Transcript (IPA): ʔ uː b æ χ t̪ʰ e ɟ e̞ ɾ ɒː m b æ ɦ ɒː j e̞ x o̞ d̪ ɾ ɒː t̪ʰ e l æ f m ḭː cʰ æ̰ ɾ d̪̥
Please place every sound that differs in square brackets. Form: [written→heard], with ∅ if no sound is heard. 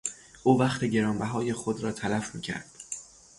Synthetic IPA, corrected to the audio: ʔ uː [b→v] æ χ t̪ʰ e ɟ e̞ ɾ ɒː m b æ ɦ ɒː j e̞ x o̞ d̪ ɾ ɒː t̪ʰ [e→æ] l æ f m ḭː cʰ æ̰ ɾ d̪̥